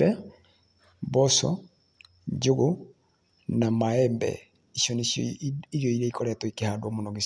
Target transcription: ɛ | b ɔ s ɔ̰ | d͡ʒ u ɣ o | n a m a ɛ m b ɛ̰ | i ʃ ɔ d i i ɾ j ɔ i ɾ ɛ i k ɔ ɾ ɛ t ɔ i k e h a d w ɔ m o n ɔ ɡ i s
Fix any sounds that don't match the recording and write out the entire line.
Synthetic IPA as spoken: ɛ | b ɔ s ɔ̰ | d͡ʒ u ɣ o | n a m a ɛ m b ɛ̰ | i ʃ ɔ n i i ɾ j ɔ i ɾ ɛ i k ɔ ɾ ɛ t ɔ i k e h a d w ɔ m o n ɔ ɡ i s